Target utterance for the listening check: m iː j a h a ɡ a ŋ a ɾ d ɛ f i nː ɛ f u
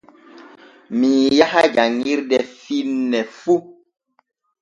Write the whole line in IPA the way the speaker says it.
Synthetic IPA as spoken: m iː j a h a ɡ a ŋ i ɾ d ɛ f i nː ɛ f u